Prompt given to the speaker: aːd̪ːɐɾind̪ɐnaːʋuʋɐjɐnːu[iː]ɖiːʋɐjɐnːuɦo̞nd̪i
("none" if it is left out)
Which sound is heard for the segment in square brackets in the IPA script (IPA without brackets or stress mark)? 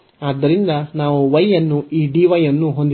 iː